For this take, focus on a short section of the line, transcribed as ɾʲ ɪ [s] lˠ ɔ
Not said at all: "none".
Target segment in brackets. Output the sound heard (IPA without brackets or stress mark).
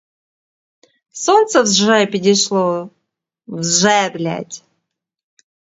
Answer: ʂ